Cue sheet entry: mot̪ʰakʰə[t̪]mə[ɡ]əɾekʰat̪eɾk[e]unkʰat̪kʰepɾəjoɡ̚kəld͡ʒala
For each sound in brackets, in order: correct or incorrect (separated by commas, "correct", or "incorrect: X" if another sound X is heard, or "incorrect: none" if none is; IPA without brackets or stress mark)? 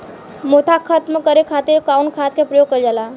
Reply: correct, incorrect: k, incorrect: a